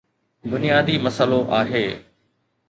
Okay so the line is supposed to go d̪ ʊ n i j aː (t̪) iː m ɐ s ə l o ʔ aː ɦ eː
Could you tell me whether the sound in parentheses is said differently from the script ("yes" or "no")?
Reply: yes